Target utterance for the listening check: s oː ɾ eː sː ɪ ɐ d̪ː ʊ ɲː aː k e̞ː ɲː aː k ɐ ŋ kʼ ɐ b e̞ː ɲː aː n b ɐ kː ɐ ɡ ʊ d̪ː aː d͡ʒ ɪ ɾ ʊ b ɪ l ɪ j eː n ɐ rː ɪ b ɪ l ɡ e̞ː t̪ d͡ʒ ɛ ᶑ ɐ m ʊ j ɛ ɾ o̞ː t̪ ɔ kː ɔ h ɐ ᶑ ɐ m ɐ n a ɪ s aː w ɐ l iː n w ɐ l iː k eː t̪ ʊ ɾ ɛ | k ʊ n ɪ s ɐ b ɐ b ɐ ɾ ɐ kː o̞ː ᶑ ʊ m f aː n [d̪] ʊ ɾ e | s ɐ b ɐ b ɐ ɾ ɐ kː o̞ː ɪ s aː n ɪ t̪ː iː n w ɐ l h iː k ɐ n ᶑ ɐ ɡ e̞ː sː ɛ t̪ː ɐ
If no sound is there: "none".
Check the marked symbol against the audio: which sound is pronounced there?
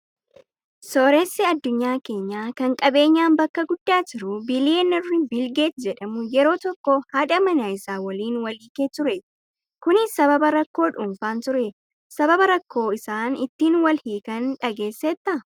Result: t̪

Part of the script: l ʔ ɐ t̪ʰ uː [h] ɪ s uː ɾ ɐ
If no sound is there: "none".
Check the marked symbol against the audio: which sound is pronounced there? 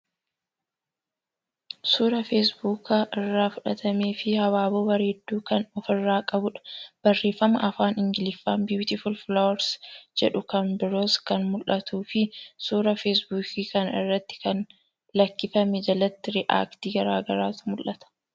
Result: f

